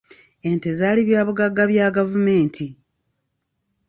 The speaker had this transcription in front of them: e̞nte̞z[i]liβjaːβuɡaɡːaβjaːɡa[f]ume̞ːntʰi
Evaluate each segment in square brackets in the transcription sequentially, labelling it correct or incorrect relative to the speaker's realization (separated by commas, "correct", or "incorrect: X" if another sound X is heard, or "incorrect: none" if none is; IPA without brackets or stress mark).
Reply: incorrect: a, incorrect: v